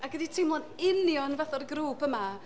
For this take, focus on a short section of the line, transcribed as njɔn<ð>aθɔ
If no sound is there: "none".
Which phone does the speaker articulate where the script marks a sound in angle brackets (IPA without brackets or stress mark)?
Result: v